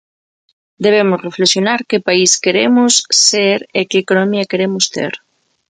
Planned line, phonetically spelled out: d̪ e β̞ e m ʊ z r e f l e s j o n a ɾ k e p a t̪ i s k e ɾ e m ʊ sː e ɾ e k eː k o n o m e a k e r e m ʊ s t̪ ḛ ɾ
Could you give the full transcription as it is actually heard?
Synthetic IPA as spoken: d̪ e β̞ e m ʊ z r e f l e s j o n a ɾ k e p a i s k e ɾ e m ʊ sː e ɾ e k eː k o n o m i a k e ɾ e m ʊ s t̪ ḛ ɾ